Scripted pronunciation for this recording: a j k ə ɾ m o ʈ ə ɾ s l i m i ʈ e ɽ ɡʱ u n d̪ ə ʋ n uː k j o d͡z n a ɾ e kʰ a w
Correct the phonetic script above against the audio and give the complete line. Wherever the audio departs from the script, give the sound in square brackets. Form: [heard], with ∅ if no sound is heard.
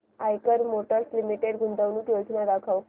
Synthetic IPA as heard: a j k ə ɾ m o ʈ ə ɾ s l i m i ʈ e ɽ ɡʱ u n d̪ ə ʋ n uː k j o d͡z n a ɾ [a] kʰ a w